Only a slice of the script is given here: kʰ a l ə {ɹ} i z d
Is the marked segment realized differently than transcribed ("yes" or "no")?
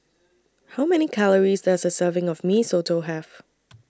no